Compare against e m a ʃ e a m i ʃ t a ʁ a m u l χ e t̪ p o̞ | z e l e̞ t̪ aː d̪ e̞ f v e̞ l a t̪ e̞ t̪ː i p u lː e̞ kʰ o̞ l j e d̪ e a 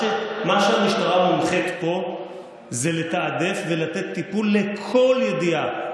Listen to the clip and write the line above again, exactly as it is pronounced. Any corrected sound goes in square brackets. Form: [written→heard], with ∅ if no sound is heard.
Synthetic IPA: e m a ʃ e a m i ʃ t a ʁ a m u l χ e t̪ p o̞ | z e l e̞ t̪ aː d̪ e̞ f v e̞ l a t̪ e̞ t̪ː i p u lː e̞ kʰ o̞ l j e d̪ [e→i] a